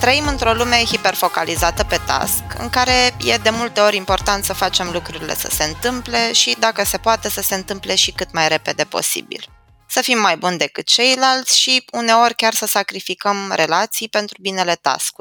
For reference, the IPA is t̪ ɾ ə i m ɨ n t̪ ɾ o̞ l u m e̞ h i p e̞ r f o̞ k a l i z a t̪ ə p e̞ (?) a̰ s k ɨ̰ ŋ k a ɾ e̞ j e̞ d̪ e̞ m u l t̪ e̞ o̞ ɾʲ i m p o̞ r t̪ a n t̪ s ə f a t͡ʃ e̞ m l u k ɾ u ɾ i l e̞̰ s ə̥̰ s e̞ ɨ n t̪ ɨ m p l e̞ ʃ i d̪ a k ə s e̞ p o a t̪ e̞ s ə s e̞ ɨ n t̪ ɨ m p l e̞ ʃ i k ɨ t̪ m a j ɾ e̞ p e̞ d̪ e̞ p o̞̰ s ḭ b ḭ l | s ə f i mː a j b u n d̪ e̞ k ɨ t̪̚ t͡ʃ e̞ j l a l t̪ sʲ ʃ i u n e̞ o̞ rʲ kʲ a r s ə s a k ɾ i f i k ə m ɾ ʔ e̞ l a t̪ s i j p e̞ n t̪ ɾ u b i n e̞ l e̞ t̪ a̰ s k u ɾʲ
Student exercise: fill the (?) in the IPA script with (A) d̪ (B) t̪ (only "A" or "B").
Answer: B